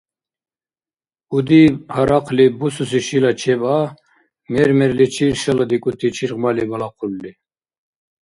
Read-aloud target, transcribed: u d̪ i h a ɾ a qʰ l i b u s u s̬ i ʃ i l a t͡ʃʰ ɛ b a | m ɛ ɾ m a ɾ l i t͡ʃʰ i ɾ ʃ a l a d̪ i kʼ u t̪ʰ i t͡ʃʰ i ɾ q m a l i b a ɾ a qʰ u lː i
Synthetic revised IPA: u d̪ i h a ɾ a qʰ l i b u s u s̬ i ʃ i l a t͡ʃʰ ɛ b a | m ɛ ɾ m ɛ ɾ l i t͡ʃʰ i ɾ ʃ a l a d̪ i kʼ u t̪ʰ i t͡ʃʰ i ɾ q m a l i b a l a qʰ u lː i